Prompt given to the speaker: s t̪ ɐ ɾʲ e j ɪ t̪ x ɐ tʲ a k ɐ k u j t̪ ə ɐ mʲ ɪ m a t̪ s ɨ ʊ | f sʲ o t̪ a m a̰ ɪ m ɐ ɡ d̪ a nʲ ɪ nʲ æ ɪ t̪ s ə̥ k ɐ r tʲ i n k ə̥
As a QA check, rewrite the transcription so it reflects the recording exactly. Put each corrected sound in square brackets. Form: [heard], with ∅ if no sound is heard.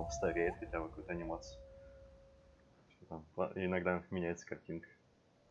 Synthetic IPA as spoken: s t̪ ɐ ɾʲ e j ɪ t̪ x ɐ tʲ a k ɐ k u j t̪ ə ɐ [nʲ] ɪ m a t̪ s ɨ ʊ | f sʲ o t̪ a m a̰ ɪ [n] ɐ ɡ d̪ a [mʲ] ɪ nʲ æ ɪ t̪ s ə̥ k ɐ r tʲ i n k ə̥